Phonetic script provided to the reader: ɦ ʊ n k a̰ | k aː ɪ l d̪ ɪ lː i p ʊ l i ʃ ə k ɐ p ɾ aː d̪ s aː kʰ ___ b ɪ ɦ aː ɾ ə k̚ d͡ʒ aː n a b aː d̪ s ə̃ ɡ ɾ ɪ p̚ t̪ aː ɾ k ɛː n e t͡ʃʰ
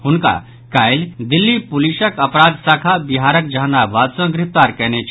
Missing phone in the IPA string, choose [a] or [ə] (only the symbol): a